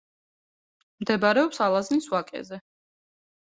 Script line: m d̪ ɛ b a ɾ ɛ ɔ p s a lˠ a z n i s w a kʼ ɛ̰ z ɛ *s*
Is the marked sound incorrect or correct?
incorrect